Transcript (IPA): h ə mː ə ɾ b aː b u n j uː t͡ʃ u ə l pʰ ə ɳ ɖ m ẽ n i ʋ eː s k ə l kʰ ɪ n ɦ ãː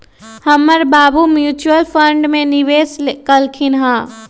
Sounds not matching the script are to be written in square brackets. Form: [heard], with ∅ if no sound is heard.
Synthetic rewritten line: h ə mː ə ɾ b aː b u [m] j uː t͡ʃ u ə l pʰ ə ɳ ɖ m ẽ n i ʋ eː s k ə l kʰ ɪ n ɦ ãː

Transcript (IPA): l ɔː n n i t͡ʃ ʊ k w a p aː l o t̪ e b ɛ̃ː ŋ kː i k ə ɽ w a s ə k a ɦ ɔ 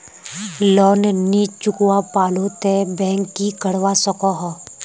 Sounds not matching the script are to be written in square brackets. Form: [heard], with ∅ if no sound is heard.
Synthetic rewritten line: l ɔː n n i t͡ʃ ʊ k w a p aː l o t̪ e b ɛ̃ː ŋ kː i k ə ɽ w a s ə k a ɦ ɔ

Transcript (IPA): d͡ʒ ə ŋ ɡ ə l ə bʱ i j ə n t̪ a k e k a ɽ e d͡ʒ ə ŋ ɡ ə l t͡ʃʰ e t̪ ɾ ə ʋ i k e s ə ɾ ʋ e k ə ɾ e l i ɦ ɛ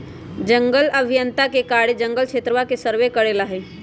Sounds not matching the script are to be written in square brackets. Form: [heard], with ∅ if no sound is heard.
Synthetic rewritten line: d͡ʒ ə ŋ ɡ ə l ə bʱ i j ə n t̪ a k e k a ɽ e d͡ʒ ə ŋ ɡ ə l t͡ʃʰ e t̪ ɾ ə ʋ [a] k e s ə ɾ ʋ e k ə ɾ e l [a] ɦ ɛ

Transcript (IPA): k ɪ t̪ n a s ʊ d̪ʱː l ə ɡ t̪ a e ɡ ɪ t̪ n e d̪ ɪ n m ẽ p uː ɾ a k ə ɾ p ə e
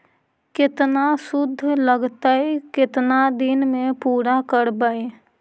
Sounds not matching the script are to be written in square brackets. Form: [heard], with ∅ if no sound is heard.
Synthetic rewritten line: k ɪ t̪ n a s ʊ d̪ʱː l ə ɡ t̪ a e [k] ɪ t̪ n [a] d̪ ɪ n m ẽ p uː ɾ a k ə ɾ [b] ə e

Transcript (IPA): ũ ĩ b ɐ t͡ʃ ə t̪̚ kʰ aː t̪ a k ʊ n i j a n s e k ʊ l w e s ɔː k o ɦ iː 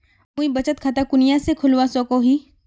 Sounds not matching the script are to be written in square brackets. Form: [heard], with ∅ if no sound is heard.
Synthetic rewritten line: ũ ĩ b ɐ t͡ʃ ə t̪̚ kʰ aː t̪ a k ʊ n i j a [∅] s e [kʰ] ʊ l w [a] s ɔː k o ɦ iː

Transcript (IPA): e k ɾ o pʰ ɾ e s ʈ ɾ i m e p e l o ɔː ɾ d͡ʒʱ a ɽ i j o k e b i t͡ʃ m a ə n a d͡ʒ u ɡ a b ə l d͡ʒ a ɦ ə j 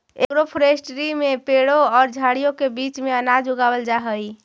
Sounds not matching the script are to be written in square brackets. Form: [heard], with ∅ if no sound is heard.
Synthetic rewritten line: e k ɾ o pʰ ɾ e s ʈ ɾ i m e p e [ɽ] o ɔː ɾ d͡ʒʱ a ɽ i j o k e b i t͡ʃ m [e] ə n a d͡ʒ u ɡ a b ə l d͡ʒ a ɦ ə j

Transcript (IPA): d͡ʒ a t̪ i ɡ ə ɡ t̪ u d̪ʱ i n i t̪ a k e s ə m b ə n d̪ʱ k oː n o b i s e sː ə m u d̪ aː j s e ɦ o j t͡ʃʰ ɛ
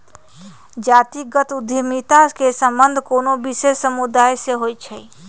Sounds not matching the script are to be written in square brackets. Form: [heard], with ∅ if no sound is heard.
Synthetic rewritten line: d͡ʒ a t̪ i ɡ ə [∅] t̪ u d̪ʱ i [m] i t̪ a k e s ə m b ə n d̪ʱ k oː n o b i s e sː ə m u d̪ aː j s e ɦ o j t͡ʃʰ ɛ

